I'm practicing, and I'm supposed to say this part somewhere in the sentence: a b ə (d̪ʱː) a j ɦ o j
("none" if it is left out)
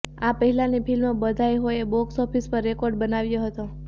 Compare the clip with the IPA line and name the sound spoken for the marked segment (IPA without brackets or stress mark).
d̪ʱ